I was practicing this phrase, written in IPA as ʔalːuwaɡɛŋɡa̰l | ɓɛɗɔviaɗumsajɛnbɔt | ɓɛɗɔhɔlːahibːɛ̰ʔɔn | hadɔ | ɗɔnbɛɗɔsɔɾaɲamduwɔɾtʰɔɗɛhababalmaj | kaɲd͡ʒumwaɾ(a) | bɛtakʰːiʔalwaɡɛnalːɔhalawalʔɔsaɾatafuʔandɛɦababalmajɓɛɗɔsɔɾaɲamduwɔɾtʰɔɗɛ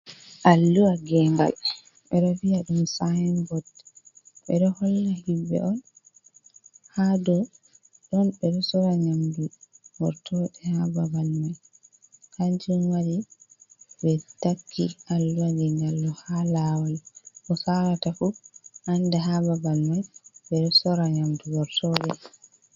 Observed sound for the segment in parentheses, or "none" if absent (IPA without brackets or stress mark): i